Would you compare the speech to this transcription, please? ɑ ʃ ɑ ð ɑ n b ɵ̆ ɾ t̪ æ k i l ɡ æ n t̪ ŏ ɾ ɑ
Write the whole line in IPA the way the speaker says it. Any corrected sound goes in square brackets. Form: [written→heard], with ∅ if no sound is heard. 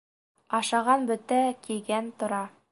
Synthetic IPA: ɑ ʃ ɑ [ð→ʁ] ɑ n b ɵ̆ [ɾ→∅] t̪ æ k i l ɡ æ n t̪ ŏ ɾ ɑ